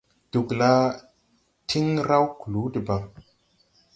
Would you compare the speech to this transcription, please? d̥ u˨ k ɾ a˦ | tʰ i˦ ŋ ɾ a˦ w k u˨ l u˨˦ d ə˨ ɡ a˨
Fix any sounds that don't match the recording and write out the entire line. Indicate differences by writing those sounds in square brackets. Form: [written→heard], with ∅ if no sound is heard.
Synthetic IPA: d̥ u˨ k [ɾ→l] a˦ | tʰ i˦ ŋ ɾ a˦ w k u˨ l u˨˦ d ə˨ [ɡ→b] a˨